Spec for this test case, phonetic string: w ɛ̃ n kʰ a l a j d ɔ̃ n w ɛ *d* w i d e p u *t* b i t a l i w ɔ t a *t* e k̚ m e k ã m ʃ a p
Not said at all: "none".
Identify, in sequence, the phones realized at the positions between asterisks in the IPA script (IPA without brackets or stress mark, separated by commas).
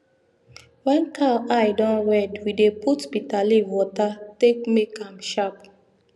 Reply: d, t, t